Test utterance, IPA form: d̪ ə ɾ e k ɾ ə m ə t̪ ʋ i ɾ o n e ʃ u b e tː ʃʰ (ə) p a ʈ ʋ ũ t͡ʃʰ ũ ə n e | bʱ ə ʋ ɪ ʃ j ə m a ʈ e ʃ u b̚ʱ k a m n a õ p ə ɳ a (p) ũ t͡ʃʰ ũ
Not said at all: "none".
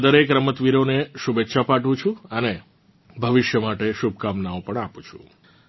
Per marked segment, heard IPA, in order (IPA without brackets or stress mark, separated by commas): a, p